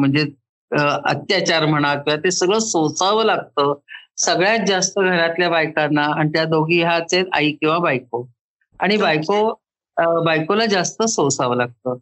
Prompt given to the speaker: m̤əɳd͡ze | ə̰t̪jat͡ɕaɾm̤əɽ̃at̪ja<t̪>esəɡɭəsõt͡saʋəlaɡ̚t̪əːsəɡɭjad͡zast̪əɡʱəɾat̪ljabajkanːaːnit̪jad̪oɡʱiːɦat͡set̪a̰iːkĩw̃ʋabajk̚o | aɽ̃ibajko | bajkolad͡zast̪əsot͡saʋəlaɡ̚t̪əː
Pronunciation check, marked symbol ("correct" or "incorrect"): correct